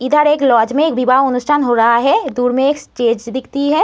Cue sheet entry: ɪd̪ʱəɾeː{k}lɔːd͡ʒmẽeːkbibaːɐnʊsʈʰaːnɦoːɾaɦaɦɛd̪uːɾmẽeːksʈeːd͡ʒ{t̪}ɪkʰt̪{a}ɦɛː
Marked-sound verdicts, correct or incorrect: correct, incorrect: d̪, incorrect: i

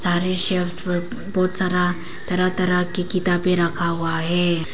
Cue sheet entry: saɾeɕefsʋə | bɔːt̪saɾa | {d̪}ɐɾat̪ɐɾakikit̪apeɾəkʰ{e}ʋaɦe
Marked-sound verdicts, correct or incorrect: incorrect: t̪, incorrect: a

